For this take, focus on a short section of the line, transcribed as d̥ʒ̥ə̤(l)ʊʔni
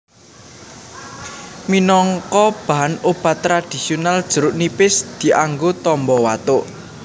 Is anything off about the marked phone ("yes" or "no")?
yes